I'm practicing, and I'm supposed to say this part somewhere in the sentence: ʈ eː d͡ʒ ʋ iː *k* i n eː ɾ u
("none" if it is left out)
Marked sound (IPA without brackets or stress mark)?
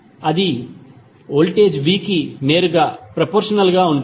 k